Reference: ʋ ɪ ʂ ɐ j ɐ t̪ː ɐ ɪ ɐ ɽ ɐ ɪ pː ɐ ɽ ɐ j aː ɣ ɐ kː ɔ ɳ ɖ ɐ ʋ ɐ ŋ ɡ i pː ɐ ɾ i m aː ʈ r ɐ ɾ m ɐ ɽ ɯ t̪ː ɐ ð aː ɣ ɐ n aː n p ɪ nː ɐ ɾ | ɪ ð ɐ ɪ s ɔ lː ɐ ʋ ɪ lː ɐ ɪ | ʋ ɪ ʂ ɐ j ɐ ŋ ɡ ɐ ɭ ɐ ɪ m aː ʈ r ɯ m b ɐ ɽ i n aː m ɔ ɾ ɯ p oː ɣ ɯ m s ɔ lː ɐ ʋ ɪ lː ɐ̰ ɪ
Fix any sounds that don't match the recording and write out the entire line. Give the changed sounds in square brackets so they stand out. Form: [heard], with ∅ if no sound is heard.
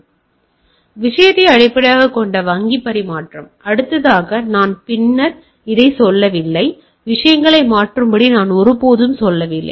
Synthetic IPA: ʋ ɪ ʂ ɐ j ɐ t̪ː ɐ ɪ ɐ ɽ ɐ ɪ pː ɐ ɽ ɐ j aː ɣ ɐ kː ɔ ɳ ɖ ɐ ʋ ɐ ŋ ɡ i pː ɐ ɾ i m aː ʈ r ɐ [∅] m ɐ ɽ ɯ t̪ː ɐ ð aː ɣ ɐ n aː n p ɪ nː ɐ ɾ | ɪ ð ɐ ɪ s ɔ lː ɐ ʋ ɪ lː ɐ ɪ | ʋ ɪ ʂ ɐ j ɐ ŋ ɡ ɐ ɭ ɐ ɪ m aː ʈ r ɯ m b ɐ ɽ i n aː [n] ɔ ɾ ɯ p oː [ð] ɯ m s ɔ lː ɐ ʋ ɪ lː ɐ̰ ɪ